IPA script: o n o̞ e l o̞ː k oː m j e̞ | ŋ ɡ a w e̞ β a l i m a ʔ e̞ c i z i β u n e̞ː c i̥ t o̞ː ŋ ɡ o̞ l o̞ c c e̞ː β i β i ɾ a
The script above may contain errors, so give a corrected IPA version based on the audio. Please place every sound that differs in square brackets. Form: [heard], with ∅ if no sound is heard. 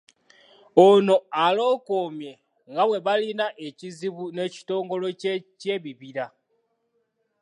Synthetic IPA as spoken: o n o̞ [a] l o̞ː k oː m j e̞ | ŋ ɡ a w e̞ β a l i [n] a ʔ e̞ c i z i β u n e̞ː c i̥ t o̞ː ŋ ɡ o̞ l o̞ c c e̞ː β i β i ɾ a